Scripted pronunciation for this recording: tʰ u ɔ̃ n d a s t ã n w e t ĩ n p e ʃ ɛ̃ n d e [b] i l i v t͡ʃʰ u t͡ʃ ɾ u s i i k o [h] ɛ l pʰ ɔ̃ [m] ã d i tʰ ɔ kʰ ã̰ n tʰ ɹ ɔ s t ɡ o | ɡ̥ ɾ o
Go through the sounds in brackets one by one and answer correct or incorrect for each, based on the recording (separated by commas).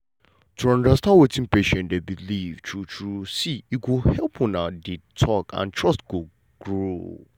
correct, correct, incorrect